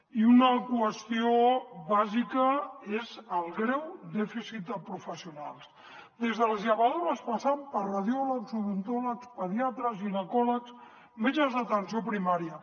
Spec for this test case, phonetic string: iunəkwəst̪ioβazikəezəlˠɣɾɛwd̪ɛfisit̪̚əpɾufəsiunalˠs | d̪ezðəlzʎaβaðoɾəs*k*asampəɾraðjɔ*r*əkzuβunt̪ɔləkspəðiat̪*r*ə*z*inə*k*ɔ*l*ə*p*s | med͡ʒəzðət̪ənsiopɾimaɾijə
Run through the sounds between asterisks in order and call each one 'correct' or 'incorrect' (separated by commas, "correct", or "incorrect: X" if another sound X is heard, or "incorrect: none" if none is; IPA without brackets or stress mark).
incorrect: p, incorrect: l, incorrect: ɾ, correct, correct, correct, incorrect: k